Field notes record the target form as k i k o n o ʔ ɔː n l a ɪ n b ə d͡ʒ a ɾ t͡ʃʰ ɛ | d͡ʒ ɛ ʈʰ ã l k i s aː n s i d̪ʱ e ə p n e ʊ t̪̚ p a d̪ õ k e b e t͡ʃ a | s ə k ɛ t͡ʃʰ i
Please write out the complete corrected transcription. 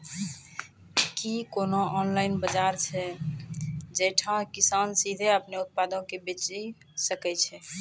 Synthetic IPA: k i k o n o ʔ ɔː n l a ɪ n b ə d͡ʒ a ɾ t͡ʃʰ ɛ | d͡ʒ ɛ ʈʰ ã k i s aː n s i d̪ʱ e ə p n e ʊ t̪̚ p a d̪ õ k e b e t͡ʃ i | s ə k ɛ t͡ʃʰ ɛ

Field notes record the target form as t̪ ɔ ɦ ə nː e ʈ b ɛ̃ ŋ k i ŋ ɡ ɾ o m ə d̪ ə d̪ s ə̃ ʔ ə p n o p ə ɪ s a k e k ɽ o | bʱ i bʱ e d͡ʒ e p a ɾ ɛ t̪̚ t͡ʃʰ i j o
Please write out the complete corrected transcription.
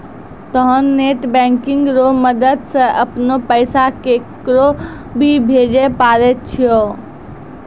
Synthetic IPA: t̪ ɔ ɦ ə nː e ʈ b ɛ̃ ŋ k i ŋ ɡ ɾ o m ə d̪ ə d̪ s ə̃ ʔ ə p n o p ə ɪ s a k e k ɾ o | bʱ i bʱ e d͡ʒ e p a ɾ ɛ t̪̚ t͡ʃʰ i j o

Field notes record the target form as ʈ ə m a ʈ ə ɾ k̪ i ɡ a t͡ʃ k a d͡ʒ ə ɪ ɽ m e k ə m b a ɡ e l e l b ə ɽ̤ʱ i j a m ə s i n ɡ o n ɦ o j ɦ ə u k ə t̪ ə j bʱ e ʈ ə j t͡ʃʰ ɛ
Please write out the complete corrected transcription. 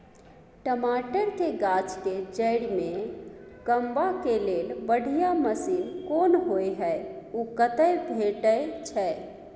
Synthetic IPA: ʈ ə m a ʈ ə ɾ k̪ e ɡ a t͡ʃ k e d͡ʒ ə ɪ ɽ m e k ə m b a k e l e l b ə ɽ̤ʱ i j a m ə s i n k o n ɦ o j ɦ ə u k ə t̪ ə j bʱ e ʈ ə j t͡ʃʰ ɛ

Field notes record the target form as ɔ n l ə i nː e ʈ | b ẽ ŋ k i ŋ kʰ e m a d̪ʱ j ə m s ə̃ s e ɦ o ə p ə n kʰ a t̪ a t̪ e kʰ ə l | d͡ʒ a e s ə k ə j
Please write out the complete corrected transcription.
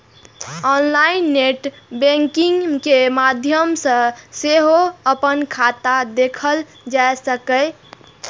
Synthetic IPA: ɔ n l a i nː e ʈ | b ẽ ŋ k i ŋ k e m a d̪ʱ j ə m s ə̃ s e ɦ o ə p ə n kʰ a t̪ a d̪ e kʰ ə l | d͡ʒ a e s ə k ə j

